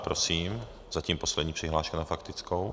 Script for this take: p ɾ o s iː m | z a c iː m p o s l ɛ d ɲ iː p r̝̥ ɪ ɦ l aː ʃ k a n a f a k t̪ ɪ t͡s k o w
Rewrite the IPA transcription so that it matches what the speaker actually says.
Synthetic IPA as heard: p ɾ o s iː m | z a c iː m p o s l ɛ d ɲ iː p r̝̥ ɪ ɦ l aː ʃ k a n a f a k t̪ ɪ t͡s k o w